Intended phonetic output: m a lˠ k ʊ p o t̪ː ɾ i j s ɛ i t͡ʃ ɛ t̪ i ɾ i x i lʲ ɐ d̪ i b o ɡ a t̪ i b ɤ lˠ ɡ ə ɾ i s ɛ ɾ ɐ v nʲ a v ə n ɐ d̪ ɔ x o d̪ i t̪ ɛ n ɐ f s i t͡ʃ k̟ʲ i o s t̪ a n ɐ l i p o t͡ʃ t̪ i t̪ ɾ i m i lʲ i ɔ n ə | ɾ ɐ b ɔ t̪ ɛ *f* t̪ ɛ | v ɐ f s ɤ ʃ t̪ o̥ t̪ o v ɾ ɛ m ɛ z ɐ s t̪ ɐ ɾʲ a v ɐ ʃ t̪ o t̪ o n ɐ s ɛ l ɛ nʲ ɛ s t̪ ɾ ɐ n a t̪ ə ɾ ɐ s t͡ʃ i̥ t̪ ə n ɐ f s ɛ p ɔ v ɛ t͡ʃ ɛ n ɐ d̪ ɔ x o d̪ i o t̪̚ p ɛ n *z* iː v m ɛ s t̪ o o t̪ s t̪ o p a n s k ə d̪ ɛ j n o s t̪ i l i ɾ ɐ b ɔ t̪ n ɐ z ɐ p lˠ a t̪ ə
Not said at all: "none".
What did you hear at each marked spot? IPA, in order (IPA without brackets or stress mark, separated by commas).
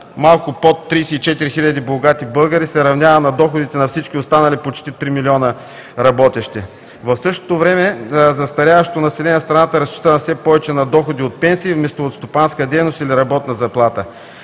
ʃ, s